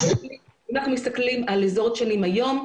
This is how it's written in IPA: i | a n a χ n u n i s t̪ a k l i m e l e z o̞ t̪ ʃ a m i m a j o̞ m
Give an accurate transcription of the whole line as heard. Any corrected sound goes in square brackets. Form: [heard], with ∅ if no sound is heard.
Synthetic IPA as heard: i | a n a χ n u [m] i s t̪ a k l i m [a] l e z o̞ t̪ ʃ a [n] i m a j o̞ m